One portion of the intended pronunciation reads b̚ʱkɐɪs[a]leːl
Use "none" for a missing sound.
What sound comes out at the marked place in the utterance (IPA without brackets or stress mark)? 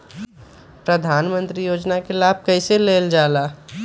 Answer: e